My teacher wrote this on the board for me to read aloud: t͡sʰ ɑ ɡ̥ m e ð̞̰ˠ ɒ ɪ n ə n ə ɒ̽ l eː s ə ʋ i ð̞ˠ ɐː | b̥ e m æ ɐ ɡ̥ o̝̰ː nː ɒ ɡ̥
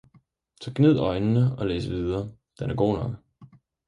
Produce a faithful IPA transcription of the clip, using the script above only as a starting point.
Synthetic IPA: t͡sʰ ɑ ɡ̥ n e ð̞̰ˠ ɒ ɪ n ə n ə ɒ̽ l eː s ə ʋ i ð̞ˠ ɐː | d̥ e n æ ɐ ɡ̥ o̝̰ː n ɒ ɡ̥